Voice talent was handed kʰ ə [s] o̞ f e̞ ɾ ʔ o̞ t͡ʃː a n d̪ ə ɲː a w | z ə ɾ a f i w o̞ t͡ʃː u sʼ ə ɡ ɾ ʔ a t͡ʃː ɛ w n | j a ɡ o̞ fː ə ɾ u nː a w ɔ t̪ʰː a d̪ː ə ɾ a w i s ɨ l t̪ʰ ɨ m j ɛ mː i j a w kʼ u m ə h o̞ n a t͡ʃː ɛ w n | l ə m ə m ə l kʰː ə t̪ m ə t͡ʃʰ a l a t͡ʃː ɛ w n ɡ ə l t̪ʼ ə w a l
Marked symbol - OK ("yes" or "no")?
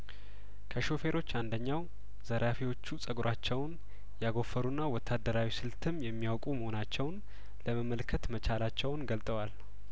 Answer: no